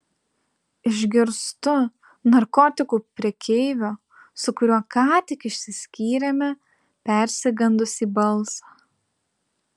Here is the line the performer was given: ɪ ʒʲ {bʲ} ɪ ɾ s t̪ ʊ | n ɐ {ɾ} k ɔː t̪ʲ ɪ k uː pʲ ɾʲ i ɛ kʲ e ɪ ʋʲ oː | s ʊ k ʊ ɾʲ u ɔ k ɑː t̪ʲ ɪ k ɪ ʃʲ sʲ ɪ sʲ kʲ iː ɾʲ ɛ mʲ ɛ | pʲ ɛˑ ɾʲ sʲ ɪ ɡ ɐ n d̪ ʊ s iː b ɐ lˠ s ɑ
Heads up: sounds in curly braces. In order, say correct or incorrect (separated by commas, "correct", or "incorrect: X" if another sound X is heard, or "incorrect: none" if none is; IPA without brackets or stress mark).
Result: incorrect: ɡʲ, correct